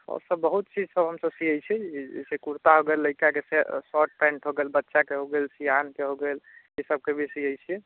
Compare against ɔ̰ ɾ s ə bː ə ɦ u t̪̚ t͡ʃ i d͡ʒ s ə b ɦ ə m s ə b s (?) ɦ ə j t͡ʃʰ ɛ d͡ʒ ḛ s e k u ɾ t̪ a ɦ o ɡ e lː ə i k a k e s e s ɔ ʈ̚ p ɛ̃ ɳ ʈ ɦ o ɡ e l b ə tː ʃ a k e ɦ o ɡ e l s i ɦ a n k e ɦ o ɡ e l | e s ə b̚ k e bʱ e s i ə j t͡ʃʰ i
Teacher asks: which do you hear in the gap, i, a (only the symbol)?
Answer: i